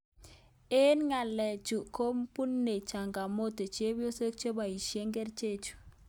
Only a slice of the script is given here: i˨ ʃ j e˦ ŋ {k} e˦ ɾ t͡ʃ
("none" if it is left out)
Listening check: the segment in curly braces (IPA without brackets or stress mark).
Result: ɡ